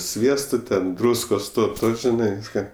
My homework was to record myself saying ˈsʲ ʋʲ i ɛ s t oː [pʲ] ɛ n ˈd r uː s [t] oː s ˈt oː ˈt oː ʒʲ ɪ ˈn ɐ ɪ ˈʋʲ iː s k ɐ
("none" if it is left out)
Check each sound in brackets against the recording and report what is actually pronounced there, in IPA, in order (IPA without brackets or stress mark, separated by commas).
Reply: tʲ, k